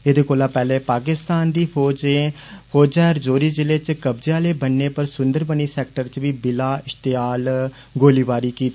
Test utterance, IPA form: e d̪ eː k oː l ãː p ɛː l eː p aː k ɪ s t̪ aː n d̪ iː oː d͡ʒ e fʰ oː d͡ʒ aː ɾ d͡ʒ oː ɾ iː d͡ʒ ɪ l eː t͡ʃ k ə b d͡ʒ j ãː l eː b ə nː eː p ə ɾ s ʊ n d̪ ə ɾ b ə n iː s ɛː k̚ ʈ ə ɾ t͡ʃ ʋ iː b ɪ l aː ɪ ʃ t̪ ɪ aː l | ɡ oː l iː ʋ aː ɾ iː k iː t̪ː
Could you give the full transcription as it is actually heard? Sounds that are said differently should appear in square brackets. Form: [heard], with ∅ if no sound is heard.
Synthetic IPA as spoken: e d̪ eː k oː l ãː p ɛː l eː p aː k ɪ s t̪ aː n d̪ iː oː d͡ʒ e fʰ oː d͡ʒ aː ɾ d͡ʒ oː ɾ iː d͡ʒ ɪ l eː t͡ʃ k ə b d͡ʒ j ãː l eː b ə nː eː p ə ɾ s ʊ n d̪ ə ɾ b ə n iː s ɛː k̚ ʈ ə ɾ t͡ʃ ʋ iː b ɪ l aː ɪ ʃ t̪ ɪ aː l | ɡ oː l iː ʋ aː ɾ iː k iː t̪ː